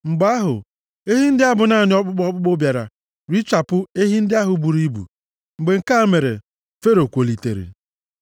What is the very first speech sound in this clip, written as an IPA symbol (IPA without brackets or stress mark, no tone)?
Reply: ŋ͡m̩